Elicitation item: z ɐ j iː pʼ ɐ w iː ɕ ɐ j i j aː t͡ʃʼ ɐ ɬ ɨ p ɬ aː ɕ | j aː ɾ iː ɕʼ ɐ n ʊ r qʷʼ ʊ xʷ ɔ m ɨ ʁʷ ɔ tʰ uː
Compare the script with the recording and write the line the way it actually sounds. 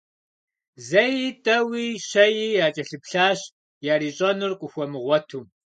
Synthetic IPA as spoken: z ɐ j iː tʼ ɐ w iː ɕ ɐ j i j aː t͡ʃʼ ɐ ɬ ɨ p ɬ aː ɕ | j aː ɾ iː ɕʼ ɐ n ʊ r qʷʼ ʊ xʷ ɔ m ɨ ʁʷ ɔ tʰ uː